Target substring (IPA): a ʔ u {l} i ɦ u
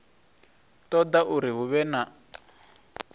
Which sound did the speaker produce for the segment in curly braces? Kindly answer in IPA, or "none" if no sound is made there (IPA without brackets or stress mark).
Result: ɾ